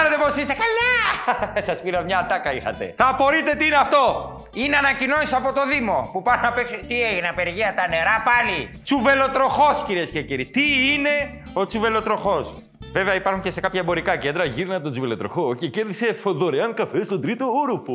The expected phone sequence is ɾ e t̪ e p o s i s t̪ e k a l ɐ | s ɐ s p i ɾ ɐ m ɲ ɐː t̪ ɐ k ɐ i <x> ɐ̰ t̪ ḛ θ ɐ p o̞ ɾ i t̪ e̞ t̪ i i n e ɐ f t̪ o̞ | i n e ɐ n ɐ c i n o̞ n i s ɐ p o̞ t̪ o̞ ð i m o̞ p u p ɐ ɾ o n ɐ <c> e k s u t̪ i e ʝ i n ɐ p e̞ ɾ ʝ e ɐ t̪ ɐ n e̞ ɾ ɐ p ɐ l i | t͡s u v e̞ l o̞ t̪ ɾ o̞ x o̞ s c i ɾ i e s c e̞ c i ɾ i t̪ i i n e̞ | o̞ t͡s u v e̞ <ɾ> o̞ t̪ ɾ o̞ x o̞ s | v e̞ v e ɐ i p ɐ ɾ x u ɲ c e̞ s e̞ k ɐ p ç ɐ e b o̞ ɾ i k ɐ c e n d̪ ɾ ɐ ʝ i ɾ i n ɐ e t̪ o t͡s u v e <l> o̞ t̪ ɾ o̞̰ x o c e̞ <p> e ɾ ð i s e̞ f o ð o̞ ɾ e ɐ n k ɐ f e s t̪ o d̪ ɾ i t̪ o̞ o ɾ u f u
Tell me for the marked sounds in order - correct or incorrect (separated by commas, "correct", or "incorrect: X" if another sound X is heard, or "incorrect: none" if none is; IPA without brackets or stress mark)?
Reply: correct, incorrect: p, incorrect: l, correct, incorrect: c